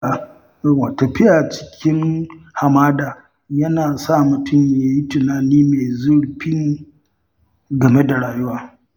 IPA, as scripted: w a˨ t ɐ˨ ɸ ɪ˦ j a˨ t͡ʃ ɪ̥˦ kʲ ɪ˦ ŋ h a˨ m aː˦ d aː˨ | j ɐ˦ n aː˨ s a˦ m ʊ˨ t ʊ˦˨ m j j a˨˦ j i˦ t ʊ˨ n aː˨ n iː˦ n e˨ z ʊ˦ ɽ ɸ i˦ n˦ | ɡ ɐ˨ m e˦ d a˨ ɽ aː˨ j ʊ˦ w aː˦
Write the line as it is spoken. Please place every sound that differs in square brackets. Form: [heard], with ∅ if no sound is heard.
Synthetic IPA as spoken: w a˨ t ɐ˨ ɸ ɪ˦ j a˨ t͡ʃ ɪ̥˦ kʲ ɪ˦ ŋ h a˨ m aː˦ d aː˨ | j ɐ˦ n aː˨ s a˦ m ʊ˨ t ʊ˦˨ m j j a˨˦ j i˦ t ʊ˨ n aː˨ n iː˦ [m] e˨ z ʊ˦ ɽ ɸ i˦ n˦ | ɡ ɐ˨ m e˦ d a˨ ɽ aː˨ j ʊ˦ w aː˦

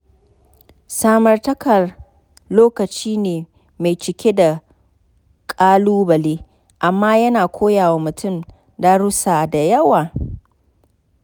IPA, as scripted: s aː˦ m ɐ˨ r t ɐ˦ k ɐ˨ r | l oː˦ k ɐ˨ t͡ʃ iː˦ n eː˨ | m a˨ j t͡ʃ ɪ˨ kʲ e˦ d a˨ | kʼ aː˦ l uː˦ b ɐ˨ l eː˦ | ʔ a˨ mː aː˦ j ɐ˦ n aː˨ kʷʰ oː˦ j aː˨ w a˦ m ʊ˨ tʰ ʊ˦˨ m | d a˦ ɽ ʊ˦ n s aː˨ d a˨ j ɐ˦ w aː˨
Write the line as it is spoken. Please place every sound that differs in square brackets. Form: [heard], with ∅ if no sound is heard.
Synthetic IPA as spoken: s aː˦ m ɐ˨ r t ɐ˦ k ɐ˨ r | l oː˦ k ɐ˨ t͡ʃ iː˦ n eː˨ | m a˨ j t͡ʃ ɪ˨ kʲ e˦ d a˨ | kʼ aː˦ l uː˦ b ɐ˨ l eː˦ | ʔ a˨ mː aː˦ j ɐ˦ n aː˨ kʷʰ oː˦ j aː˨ w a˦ m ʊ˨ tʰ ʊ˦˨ m | d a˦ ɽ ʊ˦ [∅] s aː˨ d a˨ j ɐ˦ w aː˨

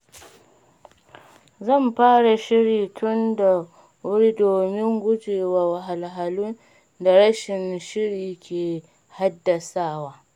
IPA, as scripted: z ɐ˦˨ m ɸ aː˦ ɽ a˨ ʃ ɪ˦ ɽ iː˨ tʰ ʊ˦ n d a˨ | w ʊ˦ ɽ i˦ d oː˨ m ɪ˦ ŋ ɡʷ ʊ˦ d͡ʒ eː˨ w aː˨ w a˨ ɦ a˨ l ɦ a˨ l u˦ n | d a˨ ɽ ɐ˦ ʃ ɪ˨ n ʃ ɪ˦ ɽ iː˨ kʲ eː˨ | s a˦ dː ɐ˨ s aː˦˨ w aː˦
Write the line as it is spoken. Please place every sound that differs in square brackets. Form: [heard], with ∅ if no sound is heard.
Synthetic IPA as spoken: z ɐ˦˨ m ɸ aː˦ ɽ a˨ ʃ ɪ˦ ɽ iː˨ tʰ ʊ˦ n d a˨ | w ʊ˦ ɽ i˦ d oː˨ m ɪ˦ ŋ ɡʷ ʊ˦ d͡ʒ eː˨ w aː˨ w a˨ ɦ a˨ l ɦ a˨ l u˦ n | d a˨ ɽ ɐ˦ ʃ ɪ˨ n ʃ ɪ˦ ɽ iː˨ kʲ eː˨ | [h] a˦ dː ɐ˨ s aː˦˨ w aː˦

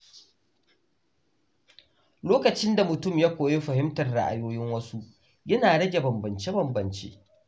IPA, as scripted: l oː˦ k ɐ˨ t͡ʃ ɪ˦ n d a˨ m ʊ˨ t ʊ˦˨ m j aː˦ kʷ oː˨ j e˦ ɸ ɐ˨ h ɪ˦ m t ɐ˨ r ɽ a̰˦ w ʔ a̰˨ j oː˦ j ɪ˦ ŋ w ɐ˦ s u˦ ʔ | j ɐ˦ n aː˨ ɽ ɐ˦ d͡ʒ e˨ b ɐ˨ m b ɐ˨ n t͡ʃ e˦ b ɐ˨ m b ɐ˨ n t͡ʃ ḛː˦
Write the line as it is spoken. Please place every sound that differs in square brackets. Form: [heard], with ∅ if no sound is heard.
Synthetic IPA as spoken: l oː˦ k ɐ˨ t͡ʃ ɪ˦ n d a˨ m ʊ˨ t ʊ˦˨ m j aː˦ kʷ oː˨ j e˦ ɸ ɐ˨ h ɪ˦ m t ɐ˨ r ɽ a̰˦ [∅] ʔ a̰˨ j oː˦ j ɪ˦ ŋ w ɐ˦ s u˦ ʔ | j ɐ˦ n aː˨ ɽ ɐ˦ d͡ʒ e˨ b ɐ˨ m b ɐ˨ n t͡ʃ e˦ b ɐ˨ m b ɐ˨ n t͡ʃ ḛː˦

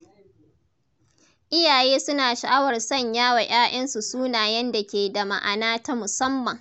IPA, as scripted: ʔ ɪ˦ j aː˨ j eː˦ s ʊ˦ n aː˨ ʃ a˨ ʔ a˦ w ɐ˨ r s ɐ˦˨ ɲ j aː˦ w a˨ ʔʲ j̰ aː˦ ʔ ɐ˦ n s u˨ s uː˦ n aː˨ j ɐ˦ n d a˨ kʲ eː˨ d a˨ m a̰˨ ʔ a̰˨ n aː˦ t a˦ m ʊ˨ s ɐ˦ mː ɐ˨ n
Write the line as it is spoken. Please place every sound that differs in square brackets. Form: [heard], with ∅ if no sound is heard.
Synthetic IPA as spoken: ʔ ɪ˦ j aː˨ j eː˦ s ʊ˦ n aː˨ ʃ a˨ ʔ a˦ w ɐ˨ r s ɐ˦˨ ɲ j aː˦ w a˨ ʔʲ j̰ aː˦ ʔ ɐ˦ n s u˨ s uː˦ n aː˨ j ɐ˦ n d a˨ kʲ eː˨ d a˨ m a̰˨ ʔ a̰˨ n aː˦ t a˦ m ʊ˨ s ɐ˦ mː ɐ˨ [ŋ]

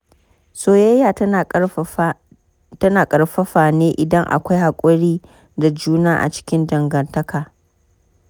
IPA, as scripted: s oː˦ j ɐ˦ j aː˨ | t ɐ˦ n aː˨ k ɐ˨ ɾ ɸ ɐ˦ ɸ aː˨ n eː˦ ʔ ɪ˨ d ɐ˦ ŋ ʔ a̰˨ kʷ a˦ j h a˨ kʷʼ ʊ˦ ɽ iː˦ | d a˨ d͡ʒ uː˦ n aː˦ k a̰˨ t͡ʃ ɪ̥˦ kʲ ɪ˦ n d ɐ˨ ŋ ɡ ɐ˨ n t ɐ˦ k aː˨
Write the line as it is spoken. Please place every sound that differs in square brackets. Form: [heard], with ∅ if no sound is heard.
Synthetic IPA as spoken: s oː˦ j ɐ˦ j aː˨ | t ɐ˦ n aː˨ [kʼ] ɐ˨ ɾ ɸ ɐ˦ ɸ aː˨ n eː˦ ʔ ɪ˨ d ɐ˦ ŋ ʔ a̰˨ kʷ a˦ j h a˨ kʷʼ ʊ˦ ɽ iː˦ | d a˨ d͡ʒ uː˦ n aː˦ [ʔ] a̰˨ t͡ʃ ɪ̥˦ kʲ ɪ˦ n d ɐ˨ ŋ ɡ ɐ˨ n t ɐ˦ k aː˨

